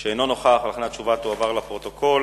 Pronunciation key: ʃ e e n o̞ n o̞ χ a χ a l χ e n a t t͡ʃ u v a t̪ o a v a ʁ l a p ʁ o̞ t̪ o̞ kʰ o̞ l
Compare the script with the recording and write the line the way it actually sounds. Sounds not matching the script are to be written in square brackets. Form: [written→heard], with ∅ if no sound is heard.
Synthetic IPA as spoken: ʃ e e n o̞ n o̞ χ a χ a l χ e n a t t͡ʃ u v a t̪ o a v a ʁ l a p ʁ o̞ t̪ o̞ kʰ o̞ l

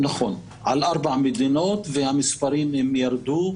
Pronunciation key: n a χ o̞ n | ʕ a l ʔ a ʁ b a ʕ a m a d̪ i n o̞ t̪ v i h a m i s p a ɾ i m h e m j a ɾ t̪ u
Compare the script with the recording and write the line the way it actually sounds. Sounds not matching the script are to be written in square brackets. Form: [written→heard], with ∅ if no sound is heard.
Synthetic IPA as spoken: n a χ o̞ n | ʕ a l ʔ a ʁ b a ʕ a m [a→e] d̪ i n o̞ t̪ v [i→e] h a m i s p a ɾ i m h e m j a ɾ [t̪→d̪] u

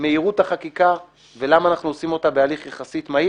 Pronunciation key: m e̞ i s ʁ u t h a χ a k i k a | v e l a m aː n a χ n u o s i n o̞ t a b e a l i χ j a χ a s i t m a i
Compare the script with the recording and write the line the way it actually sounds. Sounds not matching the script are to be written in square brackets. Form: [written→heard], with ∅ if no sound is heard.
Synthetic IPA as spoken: m e̞ i [s→∅] ʁ u t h a χ a k i k a | v e l a m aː n a χ n u o s i [n→m] o̞ t a b e a l i χ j a χ a s i t m a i

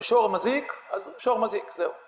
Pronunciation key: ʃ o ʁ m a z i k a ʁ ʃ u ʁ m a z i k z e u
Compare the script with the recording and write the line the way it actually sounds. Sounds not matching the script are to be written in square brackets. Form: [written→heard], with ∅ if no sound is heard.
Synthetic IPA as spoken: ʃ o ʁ m a z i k a [ʁ→z] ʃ [u→o] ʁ m a z i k z e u

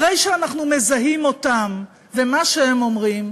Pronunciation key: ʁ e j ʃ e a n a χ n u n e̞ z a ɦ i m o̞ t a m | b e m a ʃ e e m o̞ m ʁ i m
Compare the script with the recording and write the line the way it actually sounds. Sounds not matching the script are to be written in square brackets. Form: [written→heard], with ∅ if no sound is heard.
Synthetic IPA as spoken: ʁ e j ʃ e a n a χ n u [n→m] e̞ z a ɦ i m o̞ t a m | [b→v] e m a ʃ e e m o̞ m ʁ i m

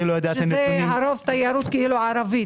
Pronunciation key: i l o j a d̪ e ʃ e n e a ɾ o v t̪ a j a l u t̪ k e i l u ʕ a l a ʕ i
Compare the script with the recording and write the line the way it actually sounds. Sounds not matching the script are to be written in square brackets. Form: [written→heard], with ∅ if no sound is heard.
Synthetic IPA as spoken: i l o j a d̪ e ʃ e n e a ɾ o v t̪ a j a [l→ɾ] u t̪ k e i l u ʕ a [l→ɾ] a [ʕ→v] i

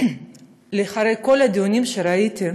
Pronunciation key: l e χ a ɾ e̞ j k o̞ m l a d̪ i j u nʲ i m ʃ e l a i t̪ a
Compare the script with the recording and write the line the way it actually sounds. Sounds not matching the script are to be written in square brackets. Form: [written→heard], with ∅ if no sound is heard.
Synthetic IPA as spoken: l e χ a ɾ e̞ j k o̞ [m→∅] l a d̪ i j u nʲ i m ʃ e [l→ɾ] a i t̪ [a→i]

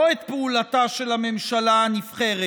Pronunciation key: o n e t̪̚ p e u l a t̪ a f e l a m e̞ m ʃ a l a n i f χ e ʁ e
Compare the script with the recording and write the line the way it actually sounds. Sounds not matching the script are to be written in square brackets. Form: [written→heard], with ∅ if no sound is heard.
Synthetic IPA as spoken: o [n→∅] e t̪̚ p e u l a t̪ a [f→ʃ] e l a m e̞ m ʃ a l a n i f χ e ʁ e

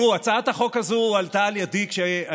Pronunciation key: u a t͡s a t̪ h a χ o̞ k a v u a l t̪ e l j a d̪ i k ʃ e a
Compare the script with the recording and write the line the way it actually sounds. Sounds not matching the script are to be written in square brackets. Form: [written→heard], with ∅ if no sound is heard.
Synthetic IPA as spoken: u a t͡s a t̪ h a χ o̞ k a [v→z] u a l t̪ [e→a] l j a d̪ i k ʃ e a

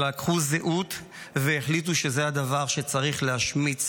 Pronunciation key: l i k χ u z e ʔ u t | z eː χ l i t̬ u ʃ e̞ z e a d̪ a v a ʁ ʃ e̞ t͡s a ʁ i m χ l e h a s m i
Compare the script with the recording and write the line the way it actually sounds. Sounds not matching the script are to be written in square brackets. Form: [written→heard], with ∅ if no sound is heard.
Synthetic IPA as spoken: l [i→a] k χ u z e ʔ u t | [z→v] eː χ l i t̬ u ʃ e̞ z e a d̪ a v a ʁ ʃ e̞ t͡s a ʁ i [m→∅] χ l e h a [s→ʃ] m i

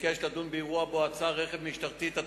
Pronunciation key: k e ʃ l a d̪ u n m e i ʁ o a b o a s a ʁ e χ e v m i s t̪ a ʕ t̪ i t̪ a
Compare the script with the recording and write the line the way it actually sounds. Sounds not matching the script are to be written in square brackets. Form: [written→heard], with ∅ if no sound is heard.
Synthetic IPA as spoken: k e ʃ l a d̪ u n [m→b] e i ʁ [o→u] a b o a [s→t͡s] a ʁ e χ e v m i [s→ʃ] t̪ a [ʕ→ʁ] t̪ i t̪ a

